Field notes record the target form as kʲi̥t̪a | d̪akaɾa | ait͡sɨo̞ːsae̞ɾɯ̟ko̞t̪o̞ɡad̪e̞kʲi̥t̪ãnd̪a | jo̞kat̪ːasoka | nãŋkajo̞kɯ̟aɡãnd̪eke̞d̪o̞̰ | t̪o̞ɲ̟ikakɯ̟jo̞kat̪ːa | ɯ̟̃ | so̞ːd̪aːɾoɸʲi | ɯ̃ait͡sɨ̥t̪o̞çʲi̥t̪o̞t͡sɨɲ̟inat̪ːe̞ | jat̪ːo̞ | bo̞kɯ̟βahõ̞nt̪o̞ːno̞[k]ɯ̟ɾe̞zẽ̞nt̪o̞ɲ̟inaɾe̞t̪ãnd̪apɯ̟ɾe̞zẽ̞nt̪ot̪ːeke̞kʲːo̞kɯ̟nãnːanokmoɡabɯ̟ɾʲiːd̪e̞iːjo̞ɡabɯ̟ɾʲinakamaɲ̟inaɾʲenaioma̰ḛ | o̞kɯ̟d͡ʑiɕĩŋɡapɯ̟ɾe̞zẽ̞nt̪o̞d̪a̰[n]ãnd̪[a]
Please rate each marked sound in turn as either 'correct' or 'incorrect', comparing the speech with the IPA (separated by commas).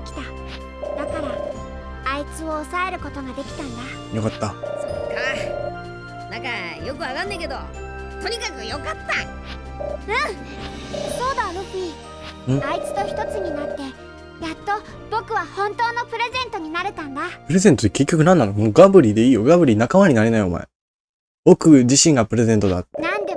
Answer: incorrect, correct, incorrect